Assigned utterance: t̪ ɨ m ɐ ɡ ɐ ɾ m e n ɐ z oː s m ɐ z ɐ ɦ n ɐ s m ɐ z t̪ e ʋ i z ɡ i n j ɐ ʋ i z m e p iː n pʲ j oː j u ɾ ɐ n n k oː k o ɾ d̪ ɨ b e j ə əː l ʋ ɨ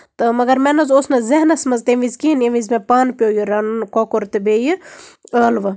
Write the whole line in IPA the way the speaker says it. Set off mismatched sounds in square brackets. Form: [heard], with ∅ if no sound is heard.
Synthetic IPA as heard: t̪ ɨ m ɐ ɡ ɐ ɾ m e n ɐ z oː s [n] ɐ z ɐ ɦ n ɐ s m ɐ z t̪ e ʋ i z [k] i n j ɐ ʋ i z m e p [aː] n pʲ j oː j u ɾ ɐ n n k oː k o ɾ [t̪] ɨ b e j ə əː l ʋ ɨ